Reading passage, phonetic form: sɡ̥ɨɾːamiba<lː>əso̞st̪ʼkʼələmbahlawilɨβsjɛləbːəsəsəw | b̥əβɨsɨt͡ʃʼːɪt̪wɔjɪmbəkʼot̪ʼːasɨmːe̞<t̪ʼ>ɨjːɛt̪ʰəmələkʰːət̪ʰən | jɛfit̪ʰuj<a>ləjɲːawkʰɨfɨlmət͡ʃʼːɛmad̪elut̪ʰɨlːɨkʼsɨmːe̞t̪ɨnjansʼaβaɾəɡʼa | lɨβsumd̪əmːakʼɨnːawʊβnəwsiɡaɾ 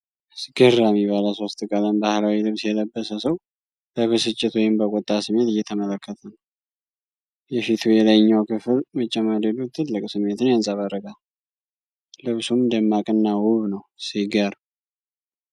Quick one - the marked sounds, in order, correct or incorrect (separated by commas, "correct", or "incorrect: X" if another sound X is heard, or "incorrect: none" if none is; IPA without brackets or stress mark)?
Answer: incorrect: l, incorrect: t̪, incorrect: ɛ